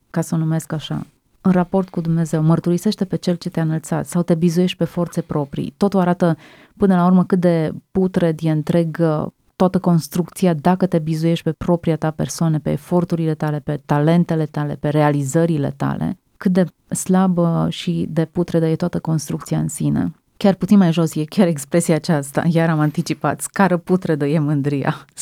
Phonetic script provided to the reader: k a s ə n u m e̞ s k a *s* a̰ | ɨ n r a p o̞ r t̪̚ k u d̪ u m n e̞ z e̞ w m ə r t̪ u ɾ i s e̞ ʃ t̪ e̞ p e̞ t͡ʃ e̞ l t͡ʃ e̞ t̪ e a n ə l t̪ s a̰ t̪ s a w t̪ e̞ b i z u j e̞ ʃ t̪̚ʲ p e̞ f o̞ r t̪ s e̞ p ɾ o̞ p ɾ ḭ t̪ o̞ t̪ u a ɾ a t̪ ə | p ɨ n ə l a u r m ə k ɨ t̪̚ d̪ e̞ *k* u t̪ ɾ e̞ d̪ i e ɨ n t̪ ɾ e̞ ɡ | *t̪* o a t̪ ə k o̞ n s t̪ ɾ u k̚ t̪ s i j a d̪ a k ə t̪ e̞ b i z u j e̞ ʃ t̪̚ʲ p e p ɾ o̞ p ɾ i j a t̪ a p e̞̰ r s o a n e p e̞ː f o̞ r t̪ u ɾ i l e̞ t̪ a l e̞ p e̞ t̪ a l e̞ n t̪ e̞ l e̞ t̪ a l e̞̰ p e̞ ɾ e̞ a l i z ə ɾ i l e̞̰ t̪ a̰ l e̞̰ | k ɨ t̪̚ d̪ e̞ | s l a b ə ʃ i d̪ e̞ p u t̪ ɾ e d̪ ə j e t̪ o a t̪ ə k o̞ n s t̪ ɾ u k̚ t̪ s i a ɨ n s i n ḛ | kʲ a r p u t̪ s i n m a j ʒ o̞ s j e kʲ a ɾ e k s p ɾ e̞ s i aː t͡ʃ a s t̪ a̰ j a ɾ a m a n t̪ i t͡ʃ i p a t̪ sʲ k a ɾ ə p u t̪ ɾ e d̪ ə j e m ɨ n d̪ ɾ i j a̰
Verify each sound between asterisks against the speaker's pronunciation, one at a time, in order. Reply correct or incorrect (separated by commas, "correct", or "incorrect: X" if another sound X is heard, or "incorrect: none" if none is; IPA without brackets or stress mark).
incorrect: ʃ, incorrect: p, correct